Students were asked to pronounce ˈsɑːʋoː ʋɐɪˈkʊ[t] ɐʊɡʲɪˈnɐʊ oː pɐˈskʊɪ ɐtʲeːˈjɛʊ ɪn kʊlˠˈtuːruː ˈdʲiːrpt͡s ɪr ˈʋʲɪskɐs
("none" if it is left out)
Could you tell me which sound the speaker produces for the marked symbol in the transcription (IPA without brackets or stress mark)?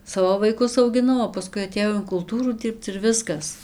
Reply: s